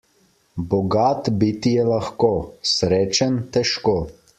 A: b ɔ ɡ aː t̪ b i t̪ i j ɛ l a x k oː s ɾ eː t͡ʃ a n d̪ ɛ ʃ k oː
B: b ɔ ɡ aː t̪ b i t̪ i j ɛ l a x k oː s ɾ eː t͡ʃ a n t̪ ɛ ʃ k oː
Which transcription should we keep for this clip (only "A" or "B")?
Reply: B